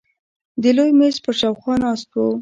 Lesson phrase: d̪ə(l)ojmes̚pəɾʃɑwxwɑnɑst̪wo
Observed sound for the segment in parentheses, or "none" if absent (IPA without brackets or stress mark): l